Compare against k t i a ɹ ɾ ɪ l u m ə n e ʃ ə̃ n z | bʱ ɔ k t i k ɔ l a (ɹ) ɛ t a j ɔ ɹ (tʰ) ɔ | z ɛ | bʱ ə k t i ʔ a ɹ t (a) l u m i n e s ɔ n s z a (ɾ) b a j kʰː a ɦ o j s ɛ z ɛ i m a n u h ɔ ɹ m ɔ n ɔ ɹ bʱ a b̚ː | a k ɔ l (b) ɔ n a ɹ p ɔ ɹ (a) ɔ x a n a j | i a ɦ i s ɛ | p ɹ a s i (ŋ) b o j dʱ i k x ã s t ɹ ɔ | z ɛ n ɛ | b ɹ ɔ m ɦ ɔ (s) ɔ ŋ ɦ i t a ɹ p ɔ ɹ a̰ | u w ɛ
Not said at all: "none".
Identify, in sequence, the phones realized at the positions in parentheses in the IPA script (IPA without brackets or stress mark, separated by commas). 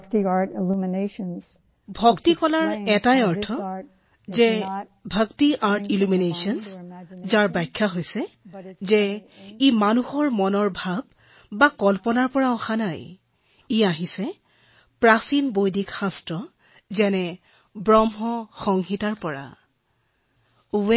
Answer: ɹ, tʰ, i, ɹ, p, a, n, x